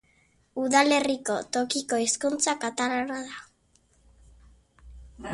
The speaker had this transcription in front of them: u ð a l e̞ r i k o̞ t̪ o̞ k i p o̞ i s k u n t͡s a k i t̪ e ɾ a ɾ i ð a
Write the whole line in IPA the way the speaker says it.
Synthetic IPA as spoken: u ð a l e̞ r i k o̞ t̪ o̞ k i k o̞ i s k u n t͡s a k a t̪ a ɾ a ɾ a ð a